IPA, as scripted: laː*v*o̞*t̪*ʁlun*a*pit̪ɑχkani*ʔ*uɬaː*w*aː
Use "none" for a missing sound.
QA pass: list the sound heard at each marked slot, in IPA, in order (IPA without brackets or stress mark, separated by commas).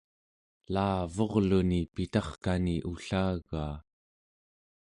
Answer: v, none, i, ʔ, ɣ